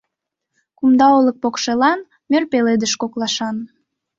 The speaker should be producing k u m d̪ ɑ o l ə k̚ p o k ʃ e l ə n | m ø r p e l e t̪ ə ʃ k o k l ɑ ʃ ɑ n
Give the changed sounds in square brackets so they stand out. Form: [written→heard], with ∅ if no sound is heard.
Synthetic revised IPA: k u m d̪ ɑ o l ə k̚ p o k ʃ e l [ə→ɑ] n | m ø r p e l e [t̪→d̪] ə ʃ k o k l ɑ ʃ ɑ n